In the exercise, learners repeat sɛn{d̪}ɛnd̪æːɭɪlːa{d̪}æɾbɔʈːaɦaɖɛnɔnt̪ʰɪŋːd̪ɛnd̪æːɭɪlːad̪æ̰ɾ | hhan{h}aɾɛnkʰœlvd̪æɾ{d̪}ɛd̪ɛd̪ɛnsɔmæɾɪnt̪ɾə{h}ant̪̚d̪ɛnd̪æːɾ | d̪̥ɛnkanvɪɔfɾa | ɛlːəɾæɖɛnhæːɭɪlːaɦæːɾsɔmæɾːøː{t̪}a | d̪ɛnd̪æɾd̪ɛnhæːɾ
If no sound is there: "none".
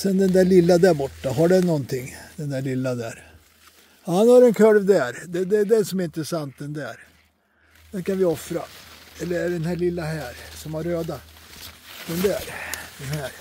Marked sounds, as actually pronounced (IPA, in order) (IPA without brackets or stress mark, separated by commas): d̪, d̪, h, d̪, s, d̪